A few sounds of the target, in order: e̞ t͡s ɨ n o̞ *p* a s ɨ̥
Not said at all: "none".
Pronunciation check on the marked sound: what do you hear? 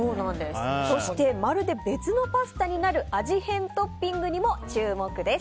p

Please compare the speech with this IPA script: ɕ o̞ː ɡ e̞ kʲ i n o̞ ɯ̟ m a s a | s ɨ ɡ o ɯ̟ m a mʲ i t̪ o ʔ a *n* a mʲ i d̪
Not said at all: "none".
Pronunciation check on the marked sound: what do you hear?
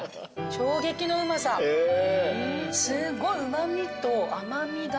m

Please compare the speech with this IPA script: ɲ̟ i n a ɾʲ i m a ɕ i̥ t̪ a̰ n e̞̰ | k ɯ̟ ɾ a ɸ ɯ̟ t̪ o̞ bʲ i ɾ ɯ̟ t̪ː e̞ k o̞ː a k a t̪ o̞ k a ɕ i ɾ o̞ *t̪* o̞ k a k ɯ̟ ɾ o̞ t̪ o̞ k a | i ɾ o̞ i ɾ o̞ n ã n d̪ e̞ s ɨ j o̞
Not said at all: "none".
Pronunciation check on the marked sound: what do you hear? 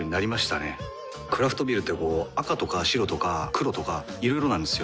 t̪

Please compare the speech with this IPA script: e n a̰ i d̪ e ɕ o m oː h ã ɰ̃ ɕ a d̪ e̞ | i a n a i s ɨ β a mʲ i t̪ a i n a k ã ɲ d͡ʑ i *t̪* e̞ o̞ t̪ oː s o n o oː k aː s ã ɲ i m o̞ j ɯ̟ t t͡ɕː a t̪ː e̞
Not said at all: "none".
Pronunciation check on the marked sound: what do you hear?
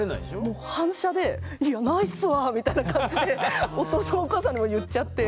d̪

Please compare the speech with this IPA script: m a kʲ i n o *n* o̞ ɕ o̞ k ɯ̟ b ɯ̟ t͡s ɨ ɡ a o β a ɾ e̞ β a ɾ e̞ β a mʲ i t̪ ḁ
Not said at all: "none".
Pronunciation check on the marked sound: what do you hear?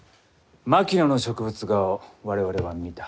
n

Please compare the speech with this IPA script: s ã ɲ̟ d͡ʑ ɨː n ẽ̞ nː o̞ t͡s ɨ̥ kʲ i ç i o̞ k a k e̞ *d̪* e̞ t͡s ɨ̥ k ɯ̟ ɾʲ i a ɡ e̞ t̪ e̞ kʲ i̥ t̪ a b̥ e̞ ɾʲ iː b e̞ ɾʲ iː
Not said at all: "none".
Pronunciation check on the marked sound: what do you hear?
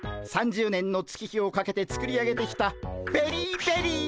t̪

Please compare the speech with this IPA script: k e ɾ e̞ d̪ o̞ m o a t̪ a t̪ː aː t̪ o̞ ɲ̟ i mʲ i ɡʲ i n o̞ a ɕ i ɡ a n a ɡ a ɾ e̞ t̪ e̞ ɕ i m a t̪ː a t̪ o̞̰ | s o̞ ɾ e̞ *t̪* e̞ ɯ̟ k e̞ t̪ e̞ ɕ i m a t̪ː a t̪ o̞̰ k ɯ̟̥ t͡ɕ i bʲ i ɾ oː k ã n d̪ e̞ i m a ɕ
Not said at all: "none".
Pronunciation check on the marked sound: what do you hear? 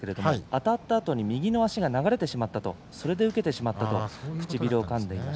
d̪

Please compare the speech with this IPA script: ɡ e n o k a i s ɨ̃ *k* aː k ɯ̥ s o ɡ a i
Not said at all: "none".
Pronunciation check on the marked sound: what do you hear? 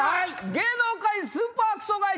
p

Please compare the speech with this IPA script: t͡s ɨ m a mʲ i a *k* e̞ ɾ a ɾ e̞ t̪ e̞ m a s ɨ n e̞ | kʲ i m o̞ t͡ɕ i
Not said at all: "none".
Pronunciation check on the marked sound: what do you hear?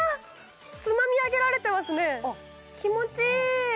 ɡ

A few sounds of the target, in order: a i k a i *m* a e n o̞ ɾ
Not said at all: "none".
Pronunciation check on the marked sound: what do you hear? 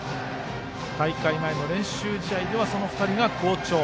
m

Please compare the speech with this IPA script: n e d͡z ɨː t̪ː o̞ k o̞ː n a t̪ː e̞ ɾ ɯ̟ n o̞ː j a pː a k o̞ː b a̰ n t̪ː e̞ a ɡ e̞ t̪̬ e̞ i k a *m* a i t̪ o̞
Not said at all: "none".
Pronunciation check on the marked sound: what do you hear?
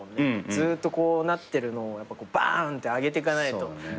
n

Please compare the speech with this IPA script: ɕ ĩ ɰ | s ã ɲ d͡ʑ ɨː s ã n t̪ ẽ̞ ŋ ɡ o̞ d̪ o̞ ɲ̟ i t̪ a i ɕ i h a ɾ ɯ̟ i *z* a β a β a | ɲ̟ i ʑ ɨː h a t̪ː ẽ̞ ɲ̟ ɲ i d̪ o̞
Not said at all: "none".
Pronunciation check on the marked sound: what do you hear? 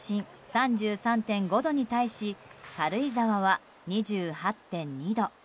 z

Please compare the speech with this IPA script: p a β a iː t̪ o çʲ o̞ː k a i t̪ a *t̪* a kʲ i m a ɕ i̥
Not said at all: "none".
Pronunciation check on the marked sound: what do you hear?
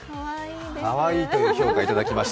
d̪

